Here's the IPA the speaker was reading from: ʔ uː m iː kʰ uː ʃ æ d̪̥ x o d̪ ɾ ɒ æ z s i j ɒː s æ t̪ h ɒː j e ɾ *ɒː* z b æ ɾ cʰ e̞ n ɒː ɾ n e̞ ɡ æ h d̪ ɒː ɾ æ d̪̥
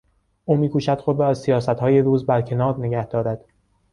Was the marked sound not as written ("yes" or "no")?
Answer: yes